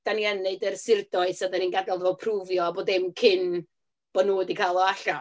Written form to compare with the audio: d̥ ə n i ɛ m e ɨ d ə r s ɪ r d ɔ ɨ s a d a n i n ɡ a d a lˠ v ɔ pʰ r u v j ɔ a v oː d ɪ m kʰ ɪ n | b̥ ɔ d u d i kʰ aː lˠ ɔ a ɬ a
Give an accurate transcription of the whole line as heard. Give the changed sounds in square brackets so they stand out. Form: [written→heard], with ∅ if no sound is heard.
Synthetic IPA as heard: d̥ [ə→a] n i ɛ [m→n] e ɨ d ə r s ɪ r d ɔ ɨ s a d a n i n ɡ a d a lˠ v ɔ pʰ r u v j ɔ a [v→b] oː d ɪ m kʰ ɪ n | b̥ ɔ [d→n] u d i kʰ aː lˠ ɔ a ɬ a

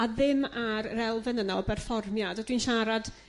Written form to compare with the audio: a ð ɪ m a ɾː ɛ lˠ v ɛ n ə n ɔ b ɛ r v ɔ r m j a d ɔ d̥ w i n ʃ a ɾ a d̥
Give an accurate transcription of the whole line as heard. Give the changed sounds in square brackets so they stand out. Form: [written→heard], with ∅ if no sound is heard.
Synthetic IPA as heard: a ð ɪ m a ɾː ɛ lˠ v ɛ n ə n ɔ b ɛ r [v→f] ɔ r m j a d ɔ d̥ w i n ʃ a ɾ a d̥

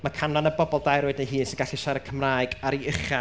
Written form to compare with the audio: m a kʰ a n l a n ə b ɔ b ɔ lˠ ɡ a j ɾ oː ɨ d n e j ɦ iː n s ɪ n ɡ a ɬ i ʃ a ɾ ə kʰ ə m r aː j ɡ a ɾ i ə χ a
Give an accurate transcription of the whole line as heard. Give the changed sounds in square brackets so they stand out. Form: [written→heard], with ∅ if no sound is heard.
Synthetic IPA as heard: m a kʰ a n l a n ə b ɔ b ɔ lˠ [ɡ→d] a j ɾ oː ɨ d n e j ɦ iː n s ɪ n ɡ a ɬ i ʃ a ɾ ə kʰ ə m r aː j ɡ a ɾ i ə χ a

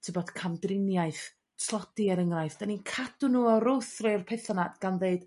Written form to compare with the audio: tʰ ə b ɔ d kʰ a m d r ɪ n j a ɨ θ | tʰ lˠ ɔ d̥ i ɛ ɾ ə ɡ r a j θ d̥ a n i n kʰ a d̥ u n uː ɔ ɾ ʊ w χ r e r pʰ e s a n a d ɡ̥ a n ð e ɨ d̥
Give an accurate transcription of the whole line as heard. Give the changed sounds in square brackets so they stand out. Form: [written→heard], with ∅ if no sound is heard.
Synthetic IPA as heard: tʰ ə b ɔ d kʰ a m d r ɪ n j a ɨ θ | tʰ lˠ ɔ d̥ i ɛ ɾ ə [ɡ→ŋ] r a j θ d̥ a n i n kʰ a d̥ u n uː ɔ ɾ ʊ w [χ→θ] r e r pʰ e [s→θ] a n a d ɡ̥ a n ð e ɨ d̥

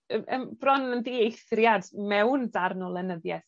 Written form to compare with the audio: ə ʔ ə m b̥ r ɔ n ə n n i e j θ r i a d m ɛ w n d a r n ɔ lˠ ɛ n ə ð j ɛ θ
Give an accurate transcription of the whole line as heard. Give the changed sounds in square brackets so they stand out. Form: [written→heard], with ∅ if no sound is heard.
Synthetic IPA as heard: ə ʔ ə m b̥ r ɔ n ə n [n→d] i e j θ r [i→j] a d m ɛ w n d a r n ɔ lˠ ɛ n ə ð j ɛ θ

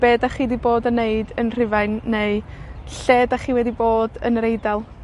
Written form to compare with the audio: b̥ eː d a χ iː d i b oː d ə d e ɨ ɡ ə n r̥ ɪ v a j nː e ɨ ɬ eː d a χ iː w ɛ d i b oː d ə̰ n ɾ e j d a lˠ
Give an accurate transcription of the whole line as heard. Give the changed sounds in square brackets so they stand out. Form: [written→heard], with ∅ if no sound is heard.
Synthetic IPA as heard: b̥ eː d a χ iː d i b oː d ə [d→n] e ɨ [ɡ→d] ə n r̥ ɪ v a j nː e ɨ ɬ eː d a χ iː w ɛ d i b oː d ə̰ n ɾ e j d a lˠ

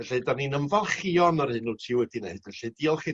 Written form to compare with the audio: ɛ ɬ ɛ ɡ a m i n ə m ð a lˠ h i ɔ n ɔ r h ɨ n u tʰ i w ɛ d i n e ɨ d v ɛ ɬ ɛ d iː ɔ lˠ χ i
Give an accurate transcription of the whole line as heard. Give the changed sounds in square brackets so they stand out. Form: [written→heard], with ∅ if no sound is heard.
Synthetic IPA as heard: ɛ ɬ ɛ [ɡ→d] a [m→n] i n ə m [ð→v] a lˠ [h→χ] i ɔ n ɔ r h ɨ n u tʰ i w ɛ d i n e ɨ d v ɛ ɬ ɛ d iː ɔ lˠ χ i

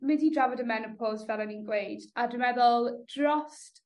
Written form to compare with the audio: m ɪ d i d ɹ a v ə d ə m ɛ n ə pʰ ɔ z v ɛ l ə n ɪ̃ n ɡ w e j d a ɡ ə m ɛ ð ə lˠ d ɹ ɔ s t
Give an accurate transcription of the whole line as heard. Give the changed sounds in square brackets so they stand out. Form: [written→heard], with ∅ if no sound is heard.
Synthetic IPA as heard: m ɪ d i d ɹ a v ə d ə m ɛ n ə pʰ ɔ z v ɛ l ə n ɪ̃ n ɡ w e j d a [ɡ→d] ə m ɛ ð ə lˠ d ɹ ɔ s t

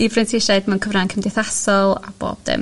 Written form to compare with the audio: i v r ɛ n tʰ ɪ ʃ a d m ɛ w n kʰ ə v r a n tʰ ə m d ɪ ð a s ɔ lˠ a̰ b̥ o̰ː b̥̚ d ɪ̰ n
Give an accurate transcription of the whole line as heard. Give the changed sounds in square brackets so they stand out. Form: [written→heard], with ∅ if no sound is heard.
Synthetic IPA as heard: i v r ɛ n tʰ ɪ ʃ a d m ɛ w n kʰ ə v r a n [tʰ→kʰ] ə m d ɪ [ð→θ] a s ɔ lˠ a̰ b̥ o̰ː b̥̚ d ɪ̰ [n→m]

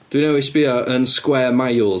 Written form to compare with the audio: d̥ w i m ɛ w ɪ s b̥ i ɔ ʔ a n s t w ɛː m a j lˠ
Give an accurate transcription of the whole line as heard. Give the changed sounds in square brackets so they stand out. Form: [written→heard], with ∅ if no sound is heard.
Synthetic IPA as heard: d̥ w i [m→n] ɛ w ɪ s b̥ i ɔ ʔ [a→ə] n s [t→k] w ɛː m a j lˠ

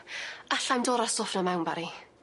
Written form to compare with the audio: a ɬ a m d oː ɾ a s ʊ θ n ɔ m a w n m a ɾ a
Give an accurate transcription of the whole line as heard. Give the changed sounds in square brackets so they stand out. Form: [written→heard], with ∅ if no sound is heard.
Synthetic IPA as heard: a ɬ a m d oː ɾ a s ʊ [θ→f] n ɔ m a w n [m→b] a ɾ [a→i]

